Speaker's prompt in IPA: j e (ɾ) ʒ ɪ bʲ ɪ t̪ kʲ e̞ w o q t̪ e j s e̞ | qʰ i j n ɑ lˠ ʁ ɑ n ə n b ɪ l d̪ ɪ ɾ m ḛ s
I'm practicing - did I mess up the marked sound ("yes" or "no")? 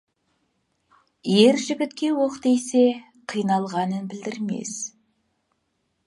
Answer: no